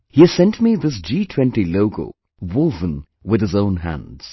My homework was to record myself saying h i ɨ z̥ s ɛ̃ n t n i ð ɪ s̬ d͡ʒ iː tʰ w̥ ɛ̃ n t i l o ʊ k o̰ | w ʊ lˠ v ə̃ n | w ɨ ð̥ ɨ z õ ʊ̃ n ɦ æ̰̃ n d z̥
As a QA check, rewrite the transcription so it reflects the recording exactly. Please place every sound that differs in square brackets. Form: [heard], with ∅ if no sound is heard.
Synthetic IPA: h i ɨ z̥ s ɛ̃ n t [m] i ð ɪ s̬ d͡ʒ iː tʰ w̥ ɛ̃ n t i l o ʊ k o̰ | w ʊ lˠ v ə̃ n | w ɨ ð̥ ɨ z õ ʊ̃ n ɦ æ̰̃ n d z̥